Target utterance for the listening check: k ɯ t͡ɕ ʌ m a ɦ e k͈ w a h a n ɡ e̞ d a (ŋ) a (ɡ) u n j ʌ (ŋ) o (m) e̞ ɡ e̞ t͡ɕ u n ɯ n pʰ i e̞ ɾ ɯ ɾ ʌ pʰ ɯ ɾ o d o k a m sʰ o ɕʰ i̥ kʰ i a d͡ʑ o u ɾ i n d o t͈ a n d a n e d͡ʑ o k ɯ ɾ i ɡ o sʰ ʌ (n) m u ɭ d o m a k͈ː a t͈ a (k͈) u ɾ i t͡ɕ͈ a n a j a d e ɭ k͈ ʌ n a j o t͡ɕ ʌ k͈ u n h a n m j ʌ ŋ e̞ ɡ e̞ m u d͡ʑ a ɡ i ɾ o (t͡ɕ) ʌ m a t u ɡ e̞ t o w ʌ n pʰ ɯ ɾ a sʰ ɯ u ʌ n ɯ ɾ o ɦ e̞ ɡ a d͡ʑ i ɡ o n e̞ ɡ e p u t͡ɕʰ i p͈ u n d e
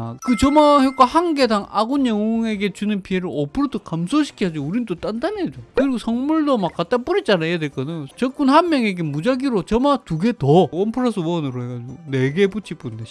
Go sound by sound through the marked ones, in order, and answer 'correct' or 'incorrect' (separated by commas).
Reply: correct, correct, correct, incorrect, incorrect, incorrect, correct